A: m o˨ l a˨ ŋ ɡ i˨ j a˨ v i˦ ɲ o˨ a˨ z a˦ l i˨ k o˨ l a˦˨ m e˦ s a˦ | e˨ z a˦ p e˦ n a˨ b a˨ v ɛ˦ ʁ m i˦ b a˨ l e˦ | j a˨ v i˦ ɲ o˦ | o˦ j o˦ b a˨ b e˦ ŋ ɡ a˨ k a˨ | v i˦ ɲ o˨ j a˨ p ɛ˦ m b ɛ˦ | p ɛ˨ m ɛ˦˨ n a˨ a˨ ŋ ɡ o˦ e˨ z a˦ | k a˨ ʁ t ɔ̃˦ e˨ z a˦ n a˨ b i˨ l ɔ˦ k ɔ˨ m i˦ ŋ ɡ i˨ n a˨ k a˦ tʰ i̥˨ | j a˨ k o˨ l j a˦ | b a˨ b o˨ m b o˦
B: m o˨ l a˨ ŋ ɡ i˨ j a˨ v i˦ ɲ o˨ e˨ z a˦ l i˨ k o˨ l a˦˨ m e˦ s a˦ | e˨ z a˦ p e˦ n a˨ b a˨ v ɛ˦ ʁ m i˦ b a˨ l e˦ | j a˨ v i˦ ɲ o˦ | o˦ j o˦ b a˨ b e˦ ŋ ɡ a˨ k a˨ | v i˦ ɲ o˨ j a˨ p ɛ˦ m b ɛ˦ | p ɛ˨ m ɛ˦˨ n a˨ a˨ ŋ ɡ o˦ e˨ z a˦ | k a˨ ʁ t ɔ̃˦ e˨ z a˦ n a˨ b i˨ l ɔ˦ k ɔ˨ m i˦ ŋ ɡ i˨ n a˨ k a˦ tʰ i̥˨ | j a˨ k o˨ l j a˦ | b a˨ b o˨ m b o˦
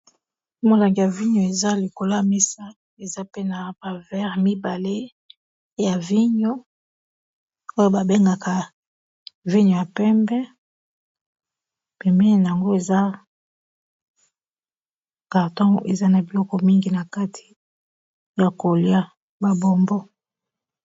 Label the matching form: B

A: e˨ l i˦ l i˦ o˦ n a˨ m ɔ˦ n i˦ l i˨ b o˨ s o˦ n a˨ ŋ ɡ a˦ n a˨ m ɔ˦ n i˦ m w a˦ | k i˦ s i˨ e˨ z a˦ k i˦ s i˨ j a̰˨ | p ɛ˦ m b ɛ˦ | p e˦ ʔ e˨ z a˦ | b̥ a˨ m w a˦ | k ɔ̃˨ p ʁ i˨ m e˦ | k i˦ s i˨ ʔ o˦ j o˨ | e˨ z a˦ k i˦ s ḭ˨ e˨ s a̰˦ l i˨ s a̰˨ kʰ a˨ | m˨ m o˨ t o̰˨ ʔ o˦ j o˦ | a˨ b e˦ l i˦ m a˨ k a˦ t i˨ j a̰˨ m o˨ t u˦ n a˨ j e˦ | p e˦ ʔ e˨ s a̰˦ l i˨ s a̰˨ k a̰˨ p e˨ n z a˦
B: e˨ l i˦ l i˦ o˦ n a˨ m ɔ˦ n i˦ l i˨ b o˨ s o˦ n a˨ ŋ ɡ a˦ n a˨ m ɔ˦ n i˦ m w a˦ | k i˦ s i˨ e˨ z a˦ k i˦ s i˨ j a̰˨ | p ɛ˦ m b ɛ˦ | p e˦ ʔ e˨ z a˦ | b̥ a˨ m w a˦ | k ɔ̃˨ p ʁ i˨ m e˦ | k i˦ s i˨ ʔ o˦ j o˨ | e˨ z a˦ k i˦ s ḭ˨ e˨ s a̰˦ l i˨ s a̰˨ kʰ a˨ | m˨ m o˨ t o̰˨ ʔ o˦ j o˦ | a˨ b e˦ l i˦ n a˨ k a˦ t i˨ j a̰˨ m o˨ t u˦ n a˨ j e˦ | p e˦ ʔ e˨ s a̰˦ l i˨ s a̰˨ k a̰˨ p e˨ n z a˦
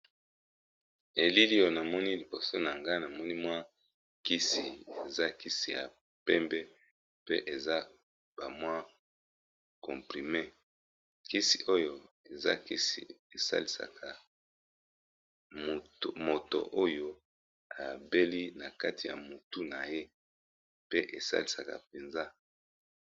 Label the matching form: B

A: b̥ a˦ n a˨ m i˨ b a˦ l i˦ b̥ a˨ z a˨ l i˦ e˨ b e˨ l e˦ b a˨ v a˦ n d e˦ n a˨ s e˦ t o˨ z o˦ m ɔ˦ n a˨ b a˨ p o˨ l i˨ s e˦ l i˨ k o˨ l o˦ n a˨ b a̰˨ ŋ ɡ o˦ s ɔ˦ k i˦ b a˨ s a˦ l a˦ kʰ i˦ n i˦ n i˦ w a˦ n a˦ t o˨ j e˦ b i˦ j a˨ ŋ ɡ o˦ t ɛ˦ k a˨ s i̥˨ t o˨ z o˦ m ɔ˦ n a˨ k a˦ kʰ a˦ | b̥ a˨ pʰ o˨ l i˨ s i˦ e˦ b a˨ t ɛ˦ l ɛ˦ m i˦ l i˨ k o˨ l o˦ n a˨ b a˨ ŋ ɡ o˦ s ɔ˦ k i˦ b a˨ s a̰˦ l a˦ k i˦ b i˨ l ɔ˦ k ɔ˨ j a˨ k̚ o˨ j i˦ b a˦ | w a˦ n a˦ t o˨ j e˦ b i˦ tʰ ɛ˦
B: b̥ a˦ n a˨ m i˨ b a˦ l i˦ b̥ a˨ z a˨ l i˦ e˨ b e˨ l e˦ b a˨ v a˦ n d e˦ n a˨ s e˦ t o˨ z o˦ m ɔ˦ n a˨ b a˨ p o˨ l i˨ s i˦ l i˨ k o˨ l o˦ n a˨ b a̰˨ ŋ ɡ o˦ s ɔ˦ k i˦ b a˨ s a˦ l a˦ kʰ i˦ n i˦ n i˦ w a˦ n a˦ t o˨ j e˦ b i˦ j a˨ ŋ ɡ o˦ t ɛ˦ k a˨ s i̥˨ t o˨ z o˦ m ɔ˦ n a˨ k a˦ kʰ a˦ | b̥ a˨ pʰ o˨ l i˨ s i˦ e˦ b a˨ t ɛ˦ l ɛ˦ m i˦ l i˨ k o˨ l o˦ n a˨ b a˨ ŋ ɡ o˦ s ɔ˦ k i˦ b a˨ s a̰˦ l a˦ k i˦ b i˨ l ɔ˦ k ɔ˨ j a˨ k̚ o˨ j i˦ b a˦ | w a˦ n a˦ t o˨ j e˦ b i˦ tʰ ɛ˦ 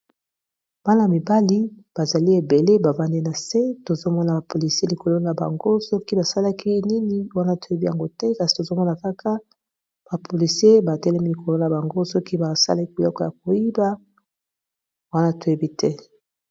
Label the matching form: A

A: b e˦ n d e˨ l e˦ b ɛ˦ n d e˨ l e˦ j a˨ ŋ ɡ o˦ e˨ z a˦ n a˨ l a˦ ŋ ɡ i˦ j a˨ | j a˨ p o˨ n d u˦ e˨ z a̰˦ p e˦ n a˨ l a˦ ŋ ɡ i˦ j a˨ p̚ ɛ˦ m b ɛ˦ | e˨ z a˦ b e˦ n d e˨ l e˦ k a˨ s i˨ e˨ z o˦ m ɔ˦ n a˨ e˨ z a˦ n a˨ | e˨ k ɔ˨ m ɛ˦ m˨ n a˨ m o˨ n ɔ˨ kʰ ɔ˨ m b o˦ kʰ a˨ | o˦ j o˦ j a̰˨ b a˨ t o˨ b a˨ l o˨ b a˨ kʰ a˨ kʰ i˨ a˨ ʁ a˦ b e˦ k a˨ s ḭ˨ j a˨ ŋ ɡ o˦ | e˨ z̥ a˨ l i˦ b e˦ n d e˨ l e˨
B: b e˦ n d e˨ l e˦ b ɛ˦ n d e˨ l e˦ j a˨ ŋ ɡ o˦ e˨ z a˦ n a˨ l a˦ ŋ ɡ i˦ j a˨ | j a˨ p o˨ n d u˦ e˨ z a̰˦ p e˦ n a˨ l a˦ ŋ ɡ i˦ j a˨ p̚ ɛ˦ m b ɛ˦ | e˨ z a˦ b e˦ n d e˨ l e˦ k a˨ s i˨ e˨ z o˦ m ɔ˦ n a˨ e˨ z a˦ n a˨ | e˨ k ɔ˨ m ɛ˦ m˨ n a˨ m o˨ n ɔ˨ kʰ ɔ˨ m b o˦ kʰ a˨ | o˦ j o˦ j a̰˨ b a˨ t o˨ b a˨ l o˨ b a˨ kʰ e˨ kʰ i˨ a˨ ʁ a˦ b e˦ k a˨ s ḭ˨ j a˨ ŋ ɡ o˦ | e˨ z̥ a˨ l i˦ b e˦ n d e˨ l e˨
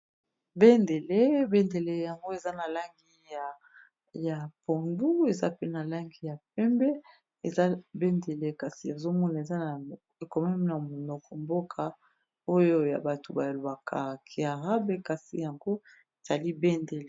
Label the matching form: A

